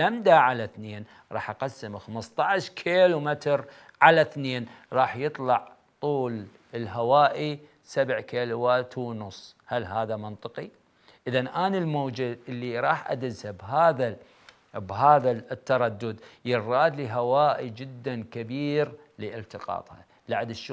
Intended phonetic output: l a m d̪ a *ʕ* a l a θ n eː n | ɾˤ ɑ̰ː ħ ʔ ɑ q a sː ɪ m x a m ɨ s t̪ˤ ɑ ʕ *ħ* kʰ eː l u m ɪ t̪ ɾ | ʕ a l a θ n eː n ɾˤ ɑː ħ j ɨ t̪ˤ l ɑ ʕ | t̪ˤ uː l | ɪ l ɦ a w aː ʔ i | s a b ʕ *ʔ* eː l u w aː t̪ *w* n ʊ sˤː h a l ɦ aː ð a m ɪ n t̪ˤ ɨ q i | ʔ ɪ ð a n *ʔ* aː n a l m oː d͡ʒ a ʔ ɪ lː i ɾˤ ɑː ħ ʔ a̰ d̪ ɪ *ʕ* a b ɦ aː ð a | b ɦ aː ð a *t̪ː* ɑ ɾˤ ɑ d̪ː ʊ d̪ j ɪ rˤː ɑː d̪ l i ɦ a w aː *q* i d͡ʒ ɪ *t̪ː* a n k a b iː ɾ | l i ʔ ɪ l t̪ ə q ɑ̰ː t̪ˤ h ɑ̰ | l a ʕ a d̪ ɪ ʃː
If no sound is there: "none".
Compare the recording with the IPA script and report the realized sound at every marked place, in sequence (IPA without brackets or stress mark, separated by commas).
ʕ, ʃ, k, w, ʔ, z, t̪ː, ʔ, d̪ː